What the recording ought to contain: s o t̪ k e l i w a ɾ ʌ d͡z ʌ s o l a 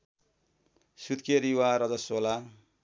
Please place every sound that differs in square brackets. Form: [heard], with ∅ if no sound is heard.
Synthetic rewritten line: s [u] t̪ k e [ɾ] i w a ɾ ʌ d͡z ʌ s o l a